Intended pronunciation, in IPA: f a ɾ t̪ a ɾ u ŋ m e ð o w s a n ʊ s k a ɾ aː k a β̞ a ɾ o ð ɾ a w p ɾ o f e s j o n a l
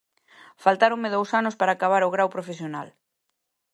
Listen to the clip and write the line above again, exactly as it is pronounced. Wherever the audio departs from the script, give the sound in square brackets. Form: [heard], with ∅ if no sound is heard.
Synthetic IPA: f a [l] t̪ a ɾ [o] ŋ m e ð o w s a n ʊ s [p] a ɾ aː k a β̞ a ɾ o [ɣ] ɾ a w p ɾ o f e s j o n a l